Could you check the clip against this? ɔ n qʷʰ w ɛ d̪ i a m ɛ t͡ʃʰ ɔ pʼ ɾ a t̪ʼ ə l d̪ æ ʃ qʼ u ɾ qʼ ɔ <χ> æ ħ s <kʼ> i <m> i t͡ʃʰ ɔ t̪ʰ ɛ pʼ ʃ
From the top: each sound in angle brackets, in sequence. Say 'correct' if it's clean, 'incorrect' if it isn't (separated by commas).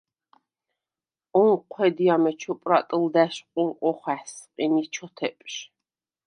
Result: correct, incorrect, incorrect